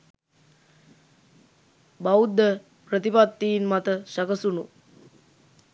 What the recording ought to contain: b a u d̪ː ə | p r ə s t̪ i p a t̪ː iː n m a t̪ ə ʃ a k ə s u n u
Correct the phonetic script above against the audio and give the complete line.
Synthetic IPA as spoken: b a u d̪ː ə | p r ə t̪ i p a t̪ː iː n m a t̪ ə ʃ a k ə s u n u